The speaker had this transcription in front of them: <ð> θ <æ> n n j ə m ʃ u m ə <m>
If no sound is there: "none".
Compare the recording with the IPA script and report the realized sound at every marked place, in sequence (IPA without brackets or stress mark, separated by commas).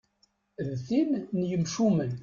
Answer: ð, i, n